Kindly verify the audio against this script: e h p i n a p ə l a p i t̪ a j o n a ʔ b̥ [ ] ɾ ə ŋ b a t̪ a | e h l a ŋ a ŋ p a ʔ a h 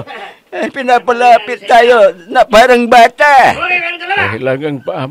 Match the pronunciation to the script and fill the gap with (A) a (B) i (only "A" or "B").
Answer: A